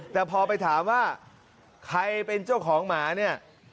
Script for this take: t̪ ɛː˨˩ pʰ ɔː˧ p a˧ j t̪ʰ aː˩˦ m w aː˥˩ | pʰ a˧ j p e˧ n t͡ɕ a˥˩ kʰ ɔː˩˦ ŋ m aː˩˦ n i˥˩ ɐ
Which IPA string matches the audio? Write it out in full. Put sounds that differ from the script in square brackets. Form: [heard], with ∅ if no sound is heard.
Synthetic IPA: t̪ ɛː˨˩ pʰ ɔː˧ p a˧ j t̪ʰ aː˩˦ m w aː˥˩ | [kʰ] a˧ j p e˧ n t͡ɕ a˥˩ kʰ ɔː˩˦ ŋ m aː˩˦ n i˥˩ ɐ